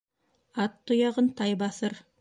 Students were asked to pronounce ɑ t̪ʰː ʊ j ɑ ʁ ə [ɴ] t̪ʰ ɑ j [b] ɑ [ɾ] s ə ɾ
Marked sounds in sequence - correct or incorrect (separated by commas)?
incorrect, correct, incorrect